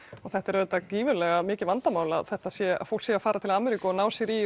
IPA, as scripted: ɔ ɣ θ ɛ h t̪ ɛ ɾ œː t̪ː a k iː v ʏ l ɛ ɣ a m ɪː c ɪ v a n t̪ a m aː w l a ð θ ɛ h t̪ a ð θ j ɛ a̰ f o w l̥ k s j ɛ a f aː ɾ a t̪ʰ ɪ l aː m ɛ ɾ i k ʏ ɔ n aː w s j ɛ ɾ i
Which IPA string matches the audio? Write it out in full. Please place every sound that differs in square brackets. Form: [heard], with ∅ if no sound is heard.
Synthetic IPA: ɔ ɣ θ ɛ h t̪ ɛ ɾ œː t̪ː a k iː v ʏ l ɛ ɣ a m ɪː c ɪ v a n t̪ a m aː w l a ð θ ɛ h t̪ a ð [s] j ɛ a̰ f o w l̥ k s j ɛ a f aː ɾ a t̪ʰ ɪ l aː m ɛ ɾ i k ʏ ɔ n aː w s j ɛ ɾ i